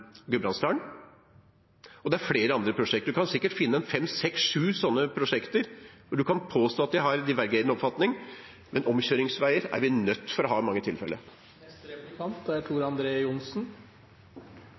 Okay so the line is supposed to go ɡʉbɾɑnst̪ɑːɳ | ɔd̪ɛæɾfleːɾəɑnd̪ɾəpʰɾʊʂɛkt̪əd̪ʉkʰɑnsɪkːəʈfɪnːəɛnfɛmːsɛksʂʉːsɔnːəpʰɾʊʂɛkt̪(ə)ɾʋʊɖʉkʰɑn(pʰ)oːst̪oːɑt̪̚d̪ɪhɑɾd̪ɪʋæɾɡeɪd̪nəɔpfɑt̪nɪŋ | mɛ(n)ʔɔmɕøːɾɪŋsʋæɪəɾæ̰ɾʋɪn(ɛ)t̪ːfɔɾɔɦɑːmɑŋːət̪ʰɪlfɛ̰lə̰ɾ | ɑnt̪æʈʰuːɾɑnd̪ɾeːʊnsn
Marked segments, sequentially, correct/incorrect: correct, correct, correct, incorrect

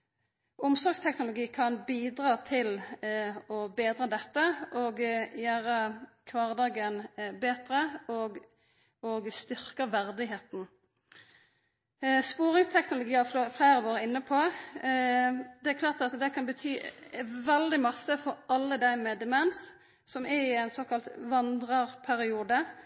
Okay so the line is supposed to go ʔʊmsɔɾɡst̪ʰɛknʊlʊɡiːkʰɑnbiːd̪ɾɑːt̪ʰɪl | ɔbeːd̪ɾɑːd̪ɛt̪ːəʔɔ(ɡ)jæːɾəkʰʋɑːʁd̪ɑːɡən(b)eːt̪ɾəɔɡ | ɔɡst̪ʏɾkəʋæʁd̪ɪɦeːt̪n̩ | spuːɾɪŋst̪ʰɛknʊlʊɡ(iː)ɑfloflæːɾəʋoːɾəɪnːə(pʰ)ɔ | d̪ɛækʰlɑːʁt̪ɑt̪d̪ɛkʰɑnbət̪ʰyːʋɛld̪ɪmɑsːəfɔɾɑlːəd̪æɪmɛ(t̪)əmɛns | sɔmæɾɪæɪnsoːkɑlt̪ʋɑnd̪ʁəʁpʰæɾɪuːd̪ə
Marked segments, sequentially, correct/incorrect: correct, correct, correct, correct, incorrect

